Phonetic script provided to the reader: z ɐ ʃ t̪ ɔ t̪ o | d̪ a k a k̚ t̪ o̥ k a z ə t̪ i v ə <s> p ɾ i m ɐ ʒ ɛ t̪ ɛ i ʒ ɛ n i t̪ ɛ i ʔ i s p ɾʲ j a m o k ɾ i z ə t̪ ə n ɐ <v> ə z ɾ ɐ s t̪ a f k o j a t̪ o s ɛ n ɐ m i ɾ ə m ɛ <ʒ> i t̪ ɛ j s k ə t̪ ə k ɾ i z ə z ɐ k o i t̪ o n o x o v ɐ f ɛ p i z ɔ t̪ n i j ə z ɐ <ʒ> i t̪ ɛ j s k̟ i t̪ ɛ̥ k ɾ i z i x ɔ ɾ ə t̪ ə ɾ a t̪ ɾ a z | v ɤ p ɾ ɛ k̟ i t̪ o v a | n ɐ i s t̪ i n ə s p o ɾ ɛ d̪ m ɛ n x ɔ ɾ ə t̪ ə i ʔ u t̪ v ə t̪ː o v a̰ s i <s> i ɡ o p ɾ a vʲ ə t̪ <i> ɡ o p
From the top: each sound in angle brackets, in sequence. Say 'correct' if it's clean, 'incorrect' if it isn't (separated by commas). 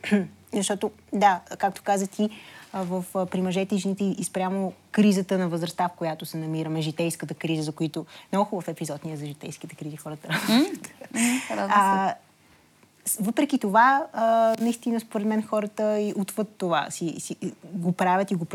incorrect, correct, correct, correct, correct, correct